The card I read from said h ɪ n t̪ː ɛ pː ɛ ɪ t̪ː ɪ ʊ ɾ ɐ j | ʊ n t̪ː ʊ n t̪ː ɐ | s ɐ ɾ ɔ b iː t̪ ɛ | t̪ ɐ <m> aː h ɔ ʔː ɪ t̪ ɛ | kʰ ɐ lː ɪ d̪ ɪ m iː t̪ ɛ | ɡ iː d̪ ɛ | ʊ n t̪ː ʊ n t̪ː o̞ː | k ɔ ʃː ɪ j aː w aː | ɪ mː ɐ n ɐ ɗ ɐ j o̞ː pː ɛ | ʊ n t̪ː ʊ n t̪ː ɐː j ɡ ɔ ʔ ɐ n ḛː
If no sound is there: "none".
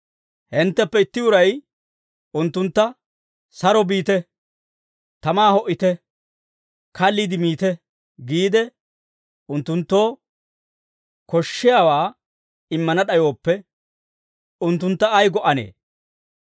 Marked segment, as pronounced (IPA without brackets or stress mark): m